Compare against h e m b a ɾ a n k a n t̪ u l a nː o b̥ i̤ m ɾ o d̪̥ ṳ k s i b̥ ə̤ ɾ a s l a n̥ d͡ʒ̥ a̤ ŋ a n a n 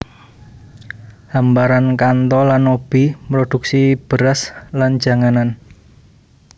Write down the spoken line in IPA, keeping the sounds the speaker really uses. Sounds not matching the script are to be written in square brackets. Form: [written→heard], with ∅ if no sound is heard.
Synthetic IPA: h [e→a] m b a ɾ a n k a n t̪ [u→ɔ] l a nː o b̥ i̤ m ɾ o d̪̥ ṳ k s i b̥ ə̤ ɾ a s l a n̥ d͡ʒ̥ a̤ ŋ a n a n